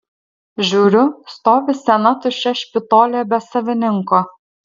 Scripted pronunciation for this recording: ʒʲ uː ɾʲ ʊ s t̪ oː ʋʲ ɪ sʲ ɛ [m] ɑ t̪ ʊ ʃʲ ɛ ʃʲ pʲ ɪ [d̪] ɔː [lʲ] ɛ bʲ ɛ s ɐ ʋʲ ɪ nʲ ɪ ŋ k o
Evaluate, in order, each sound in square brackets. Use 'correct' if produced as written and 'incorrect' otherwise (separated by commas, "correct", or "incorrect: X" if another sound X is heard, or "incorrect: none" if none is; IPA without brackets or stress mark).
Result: incorrect: n, incorrect: t̪, correct